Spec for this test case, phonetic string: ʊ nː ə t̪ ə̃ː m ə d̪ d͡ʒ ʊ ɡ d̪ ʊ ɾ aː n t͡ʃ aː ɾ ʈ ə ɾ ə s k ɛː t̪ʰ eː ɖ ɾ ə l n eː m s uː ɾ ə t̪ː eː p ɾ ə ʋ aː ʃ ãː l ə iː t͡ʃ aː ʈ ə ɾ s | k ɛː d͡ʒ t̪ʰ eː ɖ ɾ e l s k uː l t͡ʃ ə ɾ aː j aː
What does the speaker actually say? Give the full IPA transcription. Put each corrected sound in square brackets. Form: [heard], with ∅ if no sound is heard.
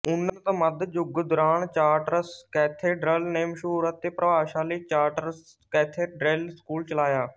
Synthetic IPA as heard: ʊ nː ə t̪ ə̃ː m ə d̪ d͡ʒ ʊ ɡ d̪ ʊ ɾ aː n t͡ʃ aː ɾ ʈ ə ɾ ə s k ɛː t̪ʰ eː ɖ ɾ ə l n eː m [ʃ] uː ɾ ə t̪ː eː p ɾ ə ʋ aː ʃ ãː l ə iː t͡ʃ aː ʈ ə ɾ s | k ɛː [∅] t̪ʰ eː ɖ ɾ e l s k uː l t͡ʃ ə [l] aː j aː